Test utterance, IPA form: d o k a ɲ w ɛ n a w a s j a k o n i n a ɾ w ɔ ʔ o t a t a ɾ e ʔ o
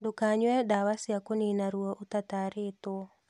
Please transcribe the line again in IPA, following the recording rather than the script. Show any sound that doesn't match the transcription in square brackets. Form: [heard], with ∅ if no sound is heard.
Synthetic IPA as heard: d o k a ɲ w ɛ [d] a w a s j a k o n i n a ɾ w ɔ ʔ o t a t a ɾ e [t] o